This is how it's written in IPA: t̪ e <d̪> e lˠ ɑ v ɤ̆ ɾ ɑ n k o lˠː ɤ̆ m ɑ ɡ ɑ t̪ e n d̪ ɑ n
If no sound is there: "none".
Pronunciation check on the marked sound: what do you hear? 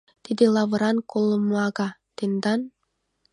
d̪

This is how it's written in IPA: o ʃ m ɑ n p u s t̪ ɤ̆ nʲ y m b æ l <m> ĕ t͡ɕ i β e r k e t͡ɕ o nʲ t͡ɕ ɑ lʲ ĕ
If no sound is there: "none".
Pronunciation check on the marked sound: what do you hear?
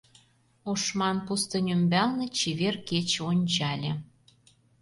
n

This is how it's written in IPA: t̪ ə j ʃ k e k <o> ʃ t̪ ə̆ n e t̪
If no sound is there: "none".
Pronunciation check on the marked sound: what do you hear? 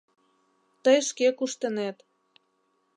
u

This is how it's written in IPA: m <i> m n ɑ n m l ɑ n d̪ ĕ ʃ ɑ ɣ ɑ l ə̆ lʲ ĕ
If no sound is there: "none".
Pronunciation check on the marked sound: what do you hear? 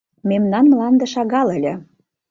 e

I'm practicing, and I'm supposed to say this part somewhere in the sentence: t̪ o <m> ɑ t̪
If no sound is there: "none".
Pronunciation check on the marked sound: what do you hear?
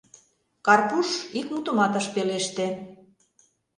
m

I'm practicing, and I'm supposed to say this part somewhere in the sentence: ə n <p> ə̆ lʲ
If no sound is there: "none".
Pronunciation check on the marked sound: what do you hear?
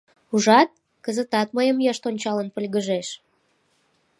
p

